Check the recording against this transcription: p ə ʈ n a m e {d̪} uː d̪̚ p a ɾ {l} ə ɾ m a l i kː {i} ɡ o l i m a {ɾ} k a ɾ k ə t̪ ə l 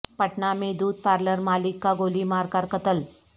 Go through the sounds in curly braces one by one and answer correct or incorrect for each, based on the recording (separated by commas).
correct, correct, incorrect, correct